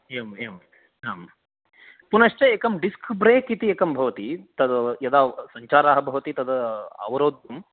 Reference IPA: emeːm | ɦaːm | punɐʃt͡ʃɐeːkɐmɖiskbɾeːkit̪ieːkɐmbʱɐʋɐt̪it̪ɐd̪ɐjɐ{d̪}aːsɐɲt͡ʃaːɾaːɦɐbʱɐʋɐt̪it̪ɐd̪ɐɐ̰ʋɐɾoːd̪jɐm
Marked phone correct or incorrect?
correct